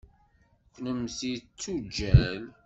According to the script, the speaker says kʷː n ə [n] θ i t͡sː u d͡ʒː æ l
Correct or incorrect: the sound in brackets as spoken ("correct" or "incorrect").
incorrect